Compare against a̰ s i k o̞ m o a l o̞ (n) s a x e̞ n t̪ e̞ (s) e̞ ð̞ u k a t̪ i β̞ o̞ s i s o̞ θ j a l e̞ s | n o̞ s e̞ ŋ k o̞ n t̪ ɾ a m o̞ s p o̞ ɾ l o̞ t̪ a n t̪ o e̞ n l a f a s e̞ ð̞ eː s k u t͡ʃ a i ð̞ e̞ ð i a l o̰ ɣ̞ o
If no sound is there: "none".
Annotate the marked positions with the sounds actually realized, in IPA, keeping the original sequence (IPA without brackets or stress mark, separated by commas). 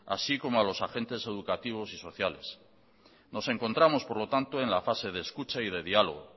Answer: none, s